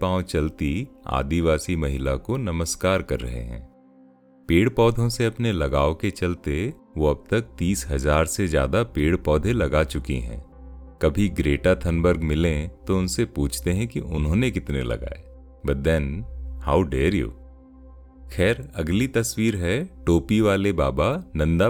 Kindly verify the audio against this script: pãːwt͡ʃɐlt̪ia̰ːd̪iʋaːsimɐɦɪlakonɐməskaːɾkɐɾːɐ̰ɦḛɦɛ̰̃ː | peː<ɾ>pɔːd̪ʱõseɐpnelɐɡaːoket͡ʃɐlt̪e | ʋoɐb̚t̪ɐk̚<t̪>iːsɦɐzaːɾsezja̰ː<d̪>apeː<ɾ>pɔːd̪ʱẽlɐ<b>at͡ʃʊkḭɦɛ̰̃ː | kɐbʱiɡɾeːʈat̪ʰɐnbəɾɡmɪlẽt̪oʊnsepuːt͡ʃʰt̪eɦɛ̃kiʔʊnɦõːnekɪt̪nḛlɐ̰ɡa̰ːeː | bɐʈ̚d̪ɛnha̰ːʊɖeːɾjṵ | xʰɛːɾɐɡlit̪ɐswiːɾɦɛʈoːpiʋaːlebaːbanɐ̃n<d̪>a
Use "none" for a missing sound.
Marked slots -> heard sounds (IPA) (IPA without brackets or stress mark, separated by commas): ɽ, t̪, d̪, ɽ, ɡ, d̪